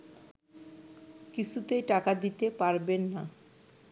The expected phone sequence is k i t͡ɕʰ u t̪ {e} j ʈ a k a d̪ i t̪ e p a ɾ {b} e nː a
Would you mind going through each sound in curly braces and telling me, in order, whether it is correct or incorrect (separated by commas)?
correct, correct